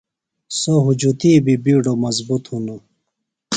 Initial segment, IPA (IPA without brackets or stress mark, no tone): s